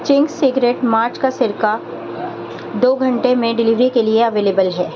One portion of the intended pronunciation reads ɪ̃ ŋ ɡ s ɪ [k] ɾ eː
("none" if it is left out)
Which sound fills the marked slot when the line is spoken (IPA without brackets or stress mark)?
ɡ